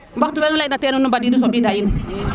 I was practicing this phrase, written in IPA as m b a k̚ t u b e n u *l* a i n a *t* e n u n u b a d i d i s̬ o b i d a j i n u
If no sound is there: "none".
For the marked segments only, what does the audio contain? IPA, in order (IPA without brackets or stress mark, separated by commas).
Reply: l, t